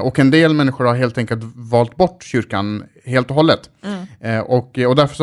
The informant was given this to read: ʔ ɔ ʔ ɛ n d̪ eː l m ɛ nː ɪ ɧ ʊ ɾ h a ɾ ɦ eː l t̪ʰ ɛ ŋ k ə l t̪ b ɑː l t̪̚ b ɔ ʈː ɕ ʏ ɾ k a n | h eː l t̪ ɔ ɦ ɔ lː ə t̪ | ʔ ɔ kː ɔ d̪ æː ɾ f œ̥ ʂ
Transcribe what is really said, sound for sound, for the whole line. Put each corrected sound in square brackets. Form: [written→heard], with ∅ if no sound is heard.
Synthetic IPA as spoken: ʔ ɔ [ʔ→k] ɛ n d̪ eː l m ɛ nː ɪ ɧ ʊ ɾ h a ɾ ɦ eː l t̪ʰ ɛ ŋ k ə l t̪ [b→v] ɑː l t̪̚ b ɔ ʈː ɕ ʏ ɾ k a n | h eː l t̪ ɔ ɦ ɔ lː ə t̪ | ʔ ɔ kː ɔ d̪ [æː→æ] ɾ f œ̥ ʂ